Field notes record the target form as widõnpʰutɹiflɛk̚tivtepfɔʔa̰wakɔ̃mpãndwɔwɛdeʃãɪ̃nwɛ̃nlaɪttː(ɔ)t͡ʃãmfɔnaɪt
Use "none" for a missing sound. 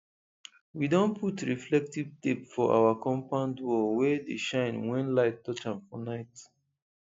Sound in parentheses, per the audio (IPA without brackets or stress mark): ɔ